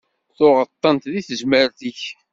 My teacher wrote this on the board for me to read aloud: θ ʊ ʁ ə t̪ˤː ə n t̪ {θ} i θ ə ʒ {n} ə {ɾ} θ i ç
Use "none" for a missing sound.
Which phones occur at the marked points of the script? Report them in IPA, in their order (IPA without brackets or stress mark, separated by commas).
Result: ð, m, ɾ